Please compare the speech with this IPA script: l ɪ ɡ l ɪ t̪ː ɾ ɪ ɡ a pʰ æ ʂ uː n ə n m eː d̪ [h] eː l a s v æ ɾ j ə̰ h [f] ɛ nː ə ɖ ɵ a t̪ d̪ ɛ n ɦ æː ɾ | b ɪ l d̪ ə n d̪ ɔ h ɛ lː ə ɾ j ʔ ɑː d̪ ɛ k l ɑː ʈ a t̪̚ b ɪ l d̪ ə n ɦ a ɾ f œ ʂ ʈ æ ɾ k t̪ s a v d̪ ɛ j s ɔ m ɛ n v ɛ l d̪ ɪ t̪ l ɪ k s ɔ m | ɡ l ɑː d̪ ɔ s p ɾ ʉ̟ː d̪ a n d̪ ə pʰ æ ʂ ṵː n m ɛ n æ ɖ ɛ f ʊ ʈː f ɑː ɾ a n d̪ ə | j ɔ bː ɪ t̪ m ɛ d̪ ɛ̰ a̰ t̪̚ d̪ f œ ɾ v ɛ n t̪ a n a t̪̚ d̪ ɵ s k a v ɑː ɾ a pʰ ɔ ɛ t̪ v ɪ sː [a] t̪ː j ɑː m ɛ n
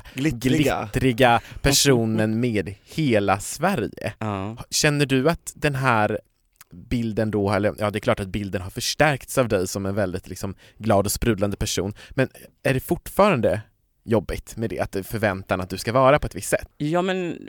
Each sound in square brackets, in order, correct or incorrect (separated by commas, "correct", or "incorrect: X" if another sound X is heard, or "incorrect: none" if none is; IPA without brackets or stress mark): correct, incorrect: ɕ, incorrect: ɛ